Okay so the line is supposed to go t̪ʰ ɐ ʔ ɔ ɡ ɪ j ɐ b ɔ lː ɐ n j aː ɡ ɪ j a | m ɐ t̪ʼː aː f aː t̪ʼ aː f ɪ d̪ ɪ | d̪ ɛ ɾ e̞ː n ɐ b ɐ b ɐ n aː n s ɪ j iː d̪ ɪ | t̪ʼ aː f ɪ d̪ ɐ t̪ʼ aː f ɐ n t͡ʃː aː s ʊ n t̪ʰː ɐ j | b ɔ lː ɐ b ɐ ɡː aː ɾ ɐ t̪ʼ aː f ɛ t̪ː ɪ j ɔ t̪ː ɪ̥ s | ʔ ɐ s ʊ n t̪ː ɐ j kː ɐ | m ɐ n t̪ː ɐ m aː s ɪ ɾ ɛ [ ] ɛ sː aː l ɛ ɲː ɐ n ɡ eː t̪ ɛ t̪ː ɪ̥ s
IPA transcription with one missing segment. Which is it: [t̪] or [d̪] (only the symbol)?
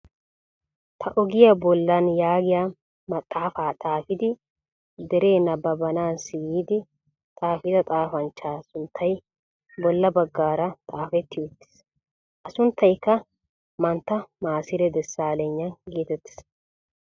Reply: d̪